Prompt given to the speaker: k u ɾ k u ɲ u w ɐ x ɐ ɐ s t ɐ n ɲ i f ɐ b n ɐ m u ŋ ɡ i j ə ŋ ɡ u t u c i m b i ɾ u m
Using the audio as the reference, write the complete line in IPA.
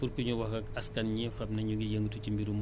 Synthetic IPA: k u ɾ k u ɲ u w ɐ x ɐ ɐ s k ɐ n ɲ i f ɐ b n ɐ ɲ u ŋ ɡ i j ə ŋ ɡ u t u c i m b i ɾ u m